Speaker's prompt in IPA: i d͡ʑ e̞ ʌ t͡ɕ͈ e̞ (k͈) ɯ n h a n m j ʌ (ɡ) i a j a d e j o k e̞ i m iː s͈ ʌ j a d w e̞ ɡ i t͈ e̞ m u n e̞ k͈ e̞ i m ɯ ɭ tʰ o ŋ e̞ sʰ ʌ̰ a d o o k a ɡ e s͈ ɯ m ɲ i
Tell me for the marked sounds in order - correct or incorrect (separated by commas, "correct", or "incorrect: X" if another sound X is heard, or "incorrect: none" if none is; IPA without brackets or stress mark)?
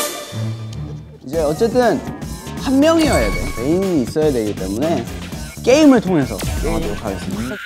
incorrect: t͈, incorrect: ŋ